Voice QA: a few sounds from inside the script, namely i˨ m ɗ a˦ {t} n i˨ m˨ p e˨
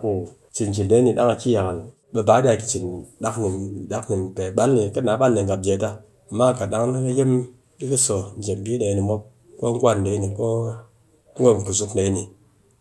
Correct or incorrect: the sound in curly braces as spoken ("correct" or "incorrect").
incorrect